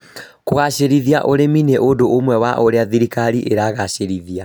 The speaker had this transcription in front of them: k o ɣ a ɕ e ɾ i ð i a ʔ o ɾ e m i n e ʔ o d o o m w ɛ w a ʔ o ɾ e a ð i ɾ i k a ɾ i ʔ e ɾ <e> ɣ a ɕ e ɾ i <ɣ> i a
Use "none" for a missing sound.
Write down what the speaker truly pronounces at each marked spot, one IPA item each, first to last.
a, ð

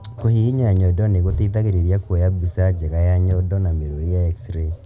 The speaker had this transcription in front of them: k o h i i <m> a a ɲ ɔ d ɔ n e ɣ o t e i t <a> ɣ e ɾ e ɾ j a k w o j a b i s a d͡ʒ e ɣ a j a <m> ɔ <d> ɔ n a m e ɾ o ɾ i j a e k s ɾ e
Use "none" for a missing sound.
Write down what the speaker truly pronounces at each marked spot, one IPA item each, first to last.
ɲ, a, ɲ, d

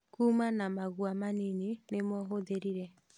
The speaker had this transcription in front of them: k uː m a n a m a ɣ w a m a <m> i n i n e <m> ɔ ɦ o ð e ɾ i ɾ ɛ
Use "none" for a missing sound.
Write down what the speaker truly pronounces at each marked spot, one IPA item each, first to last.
n, m

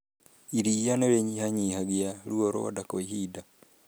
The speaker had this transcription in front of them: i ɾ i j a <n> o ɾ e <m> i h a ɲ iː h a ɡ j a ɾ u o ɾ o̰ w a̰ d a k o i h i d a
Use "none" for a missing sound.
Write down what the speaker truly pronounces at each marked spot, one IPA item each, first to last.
n, ɲ

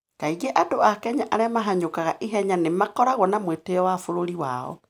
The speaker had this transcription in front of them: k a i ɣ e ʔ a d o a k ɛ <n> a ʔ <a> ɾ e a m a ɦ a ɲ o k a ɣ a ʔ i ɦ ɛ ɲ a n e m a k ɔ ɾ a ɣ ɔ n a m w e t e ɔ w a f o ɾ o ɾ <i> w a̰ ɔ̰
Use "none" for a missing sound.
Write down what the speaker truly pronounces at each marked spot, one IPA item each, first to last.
ɲ, a, i

